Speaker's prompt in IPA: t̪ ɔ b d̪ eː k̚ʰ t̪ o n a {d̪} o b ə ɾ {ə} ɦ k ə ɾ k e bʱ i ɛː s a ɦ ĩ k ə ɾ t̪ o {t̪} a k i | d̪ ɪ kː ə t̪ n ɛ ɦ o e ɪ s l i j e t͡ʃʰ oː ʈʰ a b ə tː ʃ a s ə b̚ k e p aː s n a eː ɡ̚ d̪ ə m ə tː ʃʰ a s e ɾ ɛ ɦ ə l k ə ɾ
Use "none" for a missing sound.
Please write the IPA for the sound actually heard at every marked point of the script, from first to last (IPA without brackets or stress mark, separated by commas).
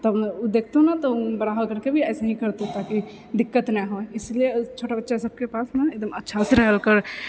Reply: t̪, a, t̪